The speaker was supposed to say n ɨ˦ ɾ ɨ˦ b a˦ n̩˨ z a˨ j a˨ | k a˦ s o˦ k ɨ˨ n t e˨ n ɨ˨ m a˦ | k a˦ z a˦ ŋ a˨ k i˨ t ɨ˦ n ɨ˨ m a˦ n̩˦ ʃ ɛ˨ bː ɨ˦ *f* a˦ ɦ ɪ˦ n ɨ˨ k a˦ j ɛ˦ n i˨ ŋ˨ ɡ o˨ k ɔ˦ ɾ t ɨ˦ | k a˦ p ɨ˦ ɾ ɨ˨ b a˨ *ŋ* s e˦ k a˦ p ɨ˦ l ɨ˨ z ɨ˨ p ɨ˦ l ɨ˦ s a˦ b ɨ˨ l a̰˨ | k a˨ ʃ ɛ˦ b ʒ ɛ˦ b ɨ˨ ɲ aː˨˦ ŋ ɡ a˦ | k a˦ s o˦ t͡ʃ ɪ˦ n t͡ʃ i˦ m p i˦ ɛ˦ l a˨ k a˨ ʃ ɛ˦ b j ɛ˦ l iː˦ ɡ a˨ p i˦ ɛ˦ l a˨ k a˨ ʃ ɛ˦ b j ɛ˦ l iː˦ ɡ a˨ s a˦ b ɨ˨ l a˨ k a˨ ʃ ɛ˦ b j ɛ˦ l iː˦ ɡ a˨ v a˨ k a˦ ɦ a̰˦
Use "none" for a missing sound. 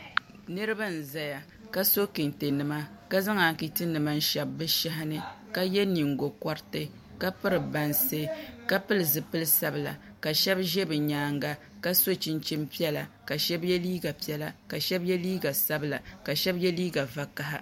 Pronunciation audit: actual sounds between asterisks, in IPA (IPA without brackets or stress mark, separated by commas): ʃ, n